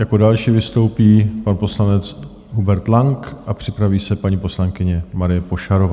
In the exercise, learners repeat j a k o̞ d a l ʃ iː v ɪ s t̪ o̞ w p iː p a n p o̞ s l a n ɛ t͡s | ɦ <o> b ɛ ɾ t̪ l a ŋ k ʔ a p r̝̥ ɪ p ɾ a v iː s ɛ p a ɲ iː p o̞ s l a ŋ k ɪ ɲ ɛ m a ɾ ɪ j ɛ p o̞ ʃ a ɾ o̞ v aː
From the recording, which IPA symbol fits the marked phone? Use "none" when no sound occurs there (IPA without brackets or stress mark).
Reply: u